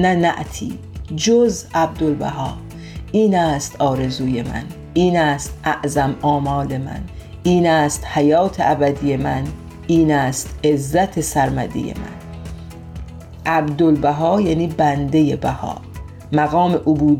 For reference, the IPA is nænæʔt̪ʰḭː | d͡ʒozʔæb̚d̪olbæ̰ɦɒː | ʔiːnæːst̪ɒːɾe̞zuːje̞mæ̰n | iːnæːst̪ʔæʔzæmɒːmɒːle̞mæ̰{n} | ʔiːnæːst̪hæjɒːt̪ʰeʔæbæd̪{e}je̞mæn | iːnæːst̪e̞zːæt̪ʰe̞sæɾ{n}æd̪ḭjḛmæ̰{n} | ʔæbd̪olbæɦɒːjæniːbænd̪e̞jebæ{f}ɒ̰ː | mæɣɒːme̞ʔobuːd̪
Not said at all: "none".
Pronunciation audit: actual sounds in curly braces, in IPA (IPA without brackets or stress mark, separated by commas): n, i, m, n, h